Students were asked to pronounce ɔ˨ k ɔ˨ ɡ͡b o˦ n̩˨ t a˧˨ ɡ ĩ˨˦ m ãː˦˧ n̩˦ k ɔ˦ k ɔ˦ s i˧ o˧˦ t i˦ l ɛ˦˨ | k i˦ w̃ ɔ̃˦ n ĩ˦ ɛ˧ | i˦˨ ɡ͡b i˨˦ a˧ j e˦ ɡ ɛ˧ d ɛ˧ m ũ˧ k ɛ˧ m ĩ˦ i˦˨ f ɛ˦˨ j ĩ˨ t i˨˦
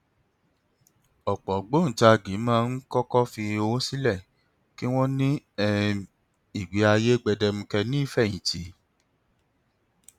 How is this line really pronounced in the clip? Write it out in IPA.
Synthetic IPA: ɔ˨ k͡p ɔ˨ ɡ͡b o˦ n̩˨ t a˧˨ ɡ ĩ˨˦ m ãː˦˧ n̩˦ k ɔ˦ k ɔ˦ f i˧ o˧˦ s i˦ l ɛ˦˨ | k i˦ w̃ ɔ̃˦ n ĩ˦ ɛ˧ | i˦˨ ɡ͡b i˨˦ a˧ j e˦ ɡ͡b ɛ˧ d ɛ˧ m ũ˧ k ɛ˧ n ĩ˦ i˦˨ f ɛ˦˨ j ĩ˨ t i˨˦